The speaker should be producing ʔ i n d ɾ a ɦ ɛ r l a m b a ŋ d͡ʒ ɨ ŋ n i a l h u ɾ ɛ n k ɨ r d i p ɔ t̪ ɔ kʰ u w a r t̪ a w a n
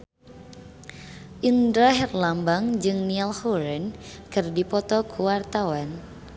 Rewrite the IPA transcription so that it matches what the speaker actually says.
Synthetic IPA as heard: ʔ i n d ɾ a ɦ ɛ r l a m b a ŋ d͡ʒ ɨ ŋ n i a l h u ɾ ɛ n k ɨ r d i p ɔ t̪ ɔ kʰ u w a r t̪ a w a n